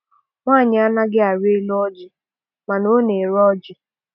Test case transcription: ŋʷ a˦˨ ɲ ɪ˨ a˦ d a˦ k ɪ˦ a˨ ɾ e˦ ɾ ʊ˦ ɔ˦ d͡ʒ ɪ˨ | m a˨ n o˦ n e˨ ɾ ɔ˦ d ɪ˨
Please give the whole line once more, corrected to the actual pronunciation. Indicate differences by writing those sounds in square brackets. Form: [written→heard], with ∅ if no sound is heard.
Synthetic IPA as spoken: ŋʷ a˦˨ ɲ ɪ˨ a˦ [d→n] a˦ [k→ɡ] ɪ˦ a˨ ɾ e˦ [ɾ→l] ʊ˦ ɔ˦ d͡ʒ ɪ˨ | m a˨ n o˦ n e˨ ɾ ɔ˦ [d→d͡ʒ] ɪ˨